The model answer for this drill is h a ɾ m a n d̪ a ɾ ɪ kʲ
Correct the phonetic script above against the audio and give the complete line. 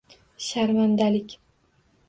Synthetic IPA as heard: ʃ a ɾ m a n d̪ a l ɪ kʲ

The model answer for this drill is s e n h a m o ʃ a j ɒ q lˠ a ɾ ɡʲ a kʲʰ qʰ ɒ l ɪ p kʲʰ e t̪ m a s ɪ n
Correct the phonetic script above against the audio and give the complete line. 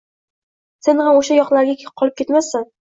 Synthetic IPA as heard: s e n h a m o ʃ a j ɒ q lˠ a ɾ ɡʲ a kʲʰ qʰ ɒ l ɪ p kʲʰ e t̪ m a s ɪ n

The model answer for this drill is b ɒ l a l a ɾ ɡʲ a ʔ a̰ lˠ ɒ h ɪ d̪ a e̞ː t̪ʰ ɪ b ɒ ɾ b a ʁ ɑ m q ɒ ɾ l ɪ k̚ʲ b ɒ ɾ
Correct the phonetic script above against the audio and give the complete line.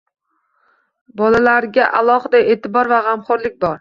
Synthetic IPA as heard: b ɒ l a l a ɾ ɡʲ a ʔ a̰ lˠ ɒ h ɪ d̪ a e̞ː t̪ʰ ɪ b ɒ ɾ v a ʁ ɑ m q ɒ ɾ l ɪ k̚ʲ b ɒ ɾ

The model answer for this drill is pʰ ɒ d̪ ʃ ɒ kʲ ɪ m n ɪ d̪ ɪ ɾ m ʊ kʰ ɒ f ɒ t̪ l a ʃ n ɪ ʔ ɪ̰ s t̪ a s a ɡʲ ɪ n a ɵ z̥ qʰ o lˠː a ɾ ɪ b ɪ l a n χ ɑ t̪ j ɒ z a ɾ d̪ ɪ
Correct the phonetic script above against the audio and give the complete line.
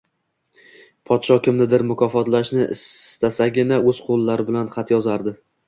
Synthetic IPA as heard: pʰ ɒ t̪ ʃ ɒ kʲ ɪ m n ɪ d̪ ɪ ɾ m ʊ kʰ ɒ f ɒ t̪ l a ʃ n ɪ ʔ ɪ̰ s t̪ a s a ɡʲ ɪ n a ɵ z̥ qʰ o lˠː a ɾ ɪ b ɪ l a n χ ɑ t̪ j ɒ z a ɾ d̪ ɪ

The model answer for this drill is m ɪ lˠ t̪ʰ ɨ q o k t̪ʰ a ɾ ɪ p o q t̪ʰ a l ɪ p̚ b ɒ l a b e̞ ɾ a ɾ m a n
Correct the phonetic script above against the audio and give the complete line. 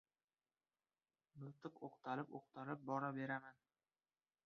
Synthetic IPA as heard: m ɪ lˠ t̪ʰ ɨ q o q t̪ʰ a l ɪ p o q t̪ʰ a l ɪ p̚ b ɒ ɾ a b e̞ ɾ a m a n

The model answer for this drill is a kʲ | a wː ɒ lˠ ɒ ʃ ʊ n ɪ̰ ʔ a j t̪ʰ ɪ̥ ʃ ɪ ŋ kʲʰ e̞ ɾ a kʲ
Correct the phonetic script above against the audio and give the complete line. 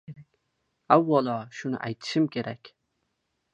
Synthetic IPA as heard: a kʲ | a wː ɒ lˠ ɒ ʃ ʊ n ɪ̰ ʔ a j t̪ʰ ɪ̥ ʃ ɪ m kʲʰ e̞ ɾ a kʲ

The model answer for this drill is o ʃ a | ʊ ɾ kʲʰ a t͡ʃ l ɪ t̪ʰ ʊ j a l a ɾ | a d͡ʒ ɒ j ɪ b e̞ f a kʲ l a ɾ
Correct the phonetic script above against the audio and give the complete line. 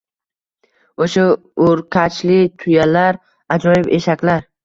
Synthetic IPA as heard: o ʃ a | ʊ ɾ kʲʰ a t͡ʃ l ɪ t̪ʰ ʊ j a l a ɾ | a d͡ʒ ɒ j ɪ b e̞ ʃ a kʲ l a ɾ

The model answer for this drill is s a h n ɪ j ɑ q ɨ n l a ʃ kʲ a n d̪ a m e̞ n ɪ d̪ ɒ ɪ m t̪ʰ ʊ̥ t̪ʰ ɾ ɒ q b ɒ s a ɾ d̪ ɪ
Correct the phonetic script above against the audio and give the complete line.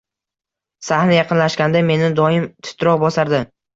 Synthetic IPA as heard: s a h n ɪ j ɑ q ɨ n l a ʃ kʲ a n d̪ a m e̞ n ɪ d̪ ɒ ɪ m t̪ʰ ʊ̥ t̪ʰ ɾ ɒ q b ɒ s a ɾ d̪ ɪ

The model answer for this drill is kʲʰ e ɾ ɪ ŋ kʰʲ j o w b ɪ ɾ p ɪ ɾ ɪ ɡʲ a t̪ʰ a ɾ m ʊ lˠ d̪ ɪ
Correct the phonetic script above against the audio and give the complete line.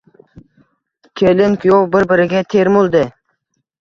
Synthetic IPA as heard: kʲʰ e l ɪ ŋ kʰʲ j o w b ɪ ɾ b ɪ ɾ ɪ ɡʲ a t̪ʰ e ɾ m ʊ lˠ d̪ ɪ

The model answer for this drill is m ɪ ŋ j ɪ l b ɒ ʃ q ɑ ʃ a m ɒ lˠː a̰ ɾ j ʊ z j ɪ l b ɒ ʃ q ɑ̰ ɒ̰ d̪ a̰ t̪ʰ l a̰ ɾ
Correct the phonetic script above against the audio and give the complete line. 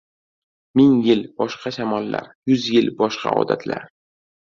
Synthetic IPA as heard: m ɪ ŋ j ɪ l b ɒ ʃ q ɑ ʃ a m ɒ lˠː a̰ ɾ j ʊ z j ɪ l b ɒ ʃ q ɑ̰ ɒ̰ d̪ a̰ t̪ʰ l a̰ ɾ

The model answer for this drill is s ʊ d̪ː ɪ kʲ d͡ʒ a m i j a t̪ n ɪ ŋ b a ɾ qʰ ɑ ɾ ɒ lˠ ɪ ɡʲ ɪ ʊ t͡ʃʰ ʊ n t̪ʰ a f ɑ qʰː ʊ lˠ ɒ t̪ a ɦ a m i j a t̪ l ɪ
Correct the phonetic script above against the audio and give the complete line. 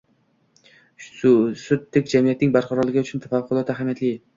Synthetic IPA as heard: s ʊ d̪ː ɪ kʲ d͡ʒ a m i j a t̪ n ɪ ŋ b a ɾ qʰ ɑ ɾ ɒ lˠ ɪ ɡʲ ɪ ʊ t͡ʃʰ ʊ n t̪ʰ a f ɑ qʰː ʊ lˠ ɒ t̪ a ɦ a m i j a t̪ l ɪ

